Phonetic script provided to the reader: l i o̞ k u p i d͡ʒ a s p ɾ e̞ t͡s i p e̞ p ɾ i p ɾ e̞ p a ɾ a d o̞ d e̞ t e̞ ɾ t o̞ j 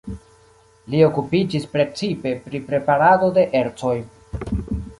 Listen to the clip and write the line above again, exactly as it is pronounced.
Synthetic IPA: l i o̞ k u p i d͡ʒ i s p ɾ e̞ t͡s i p e̞ p ɾ i p ɾ e̞ p a ɾ a d o̞ d e̞ ʔ e̞ ɾ t͡s o̞ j